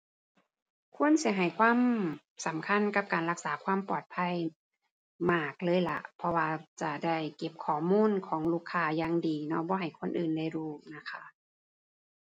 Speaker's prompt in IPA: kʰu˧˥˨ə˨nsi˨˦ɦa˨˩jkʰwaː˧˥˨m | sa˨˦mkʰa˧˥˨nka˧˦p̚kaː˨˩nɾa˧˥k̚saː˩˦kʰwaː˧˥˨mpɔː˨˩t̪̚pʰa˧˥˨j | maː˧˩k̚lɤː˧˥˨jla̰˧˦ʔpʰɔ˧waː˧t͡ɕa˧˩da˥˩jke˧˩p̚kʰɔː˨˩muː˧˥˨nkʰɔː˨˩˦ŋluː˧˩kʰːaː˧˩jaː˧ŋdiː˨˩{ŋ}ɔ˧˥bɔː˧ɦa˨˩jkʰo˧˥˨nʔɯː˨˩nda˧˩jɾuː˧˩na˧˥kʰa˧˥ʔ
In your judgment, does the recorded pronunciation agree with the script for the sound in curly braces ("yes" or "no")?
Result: no